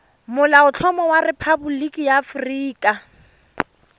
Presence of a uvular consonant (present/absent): absent